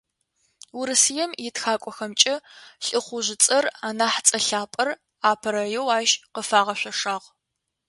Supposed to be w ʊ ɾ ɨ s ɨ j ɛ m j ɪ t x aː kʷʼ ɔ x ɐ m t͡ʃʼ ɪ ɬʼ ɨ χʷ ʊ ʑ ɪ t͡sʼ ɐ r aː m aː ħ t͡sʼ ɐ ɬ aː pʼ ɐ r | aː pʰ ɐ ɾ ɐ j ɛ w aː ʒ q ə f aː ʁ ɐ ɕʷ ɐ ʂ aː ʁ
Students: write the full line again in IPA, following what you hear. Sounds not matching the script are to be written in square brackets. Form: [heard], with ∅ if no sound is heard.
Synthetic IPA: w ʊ ɾ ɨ s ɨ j ɛ m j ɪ t x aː kʷʼ ɔ x ɐ m t͡ʃʼ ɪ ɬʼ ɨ χʷ ʊ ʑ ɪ t͡sʼ ɐ r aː [n] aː ħ t͡sʼ ɐ ɬ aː pʼ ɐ r | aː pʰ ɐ ɾ ɐ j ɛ w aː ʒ q ə f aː ʁ ɐ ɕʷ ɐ ʂ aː ʁ